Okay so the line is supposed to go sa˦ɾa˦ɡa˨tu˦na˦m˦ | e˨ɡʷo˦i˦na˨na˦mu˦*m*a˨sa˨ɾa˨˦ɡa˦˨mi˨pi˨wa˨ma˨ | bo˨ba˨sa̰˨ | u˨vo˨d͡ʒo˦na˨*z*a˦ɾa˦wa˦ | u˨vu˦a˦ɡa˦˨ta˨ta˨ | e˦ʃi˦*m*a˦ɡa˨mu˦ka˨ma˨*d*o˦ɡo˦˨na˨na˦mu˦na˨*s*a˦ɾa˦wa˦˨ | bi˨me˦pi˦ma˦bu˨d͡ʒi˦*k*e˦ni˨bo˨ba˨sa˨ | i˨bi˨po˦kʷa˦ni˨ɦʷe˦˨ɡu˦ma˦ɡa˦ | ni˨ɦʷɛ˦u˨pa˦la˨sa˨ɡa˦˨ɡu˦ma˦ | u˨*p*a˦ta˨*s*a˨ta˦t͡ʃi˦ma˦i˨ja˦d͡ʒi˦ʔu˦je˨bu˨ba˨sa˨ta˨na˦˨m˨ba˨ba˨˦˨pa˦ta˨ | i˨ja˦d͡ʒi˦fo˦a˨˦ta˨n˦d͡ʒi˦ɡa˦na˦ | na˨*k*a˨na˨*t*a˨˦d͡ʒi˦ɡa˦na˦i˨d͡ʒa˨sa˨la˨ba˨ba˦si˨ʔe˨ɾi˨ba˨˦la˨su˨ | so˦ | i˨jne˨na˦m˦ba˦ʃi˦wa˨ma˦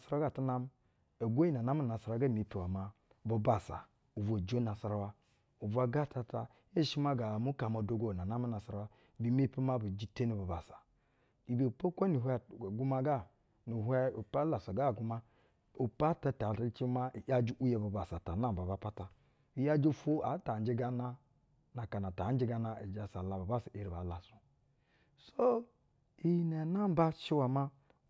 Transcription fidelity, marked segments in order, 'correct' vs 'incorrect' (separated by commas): incorrect, incorrect, correct, correct, correct, incorrect, correct, incorrect, correct, correct